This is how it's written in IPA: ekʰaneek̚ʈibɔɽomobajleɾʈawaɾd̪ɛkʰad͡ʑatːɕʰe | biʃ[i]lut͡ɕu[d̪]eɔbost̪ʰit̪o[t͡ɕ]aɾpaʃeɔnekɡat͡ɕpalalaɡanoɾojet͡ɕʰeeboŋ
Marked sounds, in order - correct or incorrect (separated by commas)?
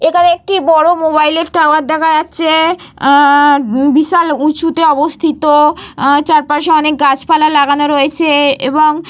incorrect, incorrect, correct